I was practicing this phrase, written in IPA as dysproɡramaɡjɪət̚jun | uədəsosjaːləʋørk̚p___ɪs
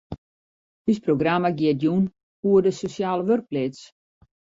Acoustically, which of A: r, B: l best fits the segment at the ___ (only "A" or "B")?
B